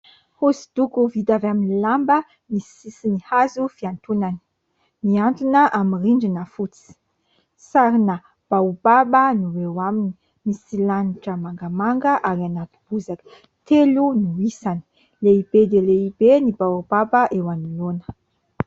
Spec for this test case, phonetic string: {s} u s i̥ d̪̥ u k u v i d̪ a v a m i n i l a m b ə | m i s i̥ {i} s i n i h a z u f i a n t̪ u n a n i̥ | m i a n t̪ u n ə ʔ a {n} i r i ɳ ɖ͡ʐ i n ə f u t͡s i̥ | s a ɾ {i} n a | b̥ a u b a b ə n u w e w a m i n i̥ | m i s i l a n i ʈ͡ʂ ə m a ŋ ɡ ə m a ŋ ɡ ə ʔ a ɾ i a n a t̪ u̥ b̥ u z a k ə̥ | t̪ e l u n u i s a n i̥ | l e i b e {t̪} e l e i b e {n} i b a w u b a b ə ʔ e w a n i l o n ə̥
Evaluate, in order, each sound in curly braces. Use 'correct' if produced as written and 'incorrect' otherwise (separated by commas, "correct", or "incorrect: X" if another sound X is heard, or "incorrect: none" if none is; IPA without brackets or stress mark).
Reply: incorrect: h, correct, incorrect: m, correct, incorrect: d̪, correct